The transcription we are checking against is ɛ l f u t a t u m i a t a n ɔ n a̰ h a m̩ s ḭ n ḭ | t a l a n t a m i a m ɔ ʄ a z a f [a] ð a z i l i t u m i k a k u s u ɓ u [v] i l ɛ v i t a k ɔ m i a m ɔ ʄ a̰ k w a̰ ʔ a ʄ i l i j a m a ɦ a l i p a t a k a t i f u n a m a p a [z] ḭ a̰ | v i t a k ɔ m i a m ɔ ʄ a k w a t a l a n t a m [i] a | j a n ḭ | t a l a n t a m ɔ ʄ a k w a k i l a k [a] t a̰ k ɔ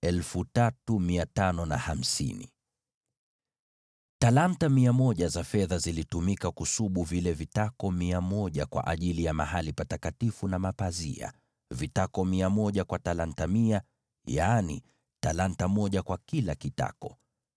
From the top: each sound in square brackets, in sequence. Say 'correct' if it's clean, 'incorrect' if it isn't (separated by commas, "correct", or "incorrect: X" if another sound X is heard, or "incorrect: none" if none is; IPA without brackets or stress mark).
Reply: incorrect: ɛ, correct, correct, correct, incorrect: i